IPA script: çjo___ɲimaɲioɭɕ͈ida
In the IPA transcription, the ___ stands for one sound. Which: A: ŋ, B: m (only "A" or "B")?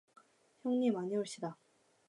A